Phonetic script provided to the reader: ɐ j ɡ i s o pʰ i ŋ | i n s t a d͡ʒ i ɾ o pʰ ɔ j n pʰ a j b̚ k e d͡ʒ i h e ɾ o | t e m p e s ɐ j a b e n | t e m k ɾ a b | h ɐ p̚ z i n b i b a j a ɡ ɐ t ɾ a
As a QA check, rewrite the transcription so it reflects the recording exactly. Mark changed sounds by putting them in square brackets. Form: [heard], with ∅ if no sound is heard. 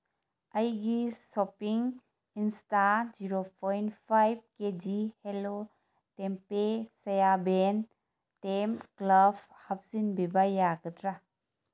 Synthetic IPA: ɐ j ɡ i s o [p] i ŋ | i n s t a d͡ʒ i ɾ o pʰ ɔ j n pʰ a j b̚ k e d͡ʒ i h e [l] o | t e m p e s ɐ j a b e n | t e m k [l] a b | h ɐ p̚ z i n b i b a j a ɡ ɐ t ɾ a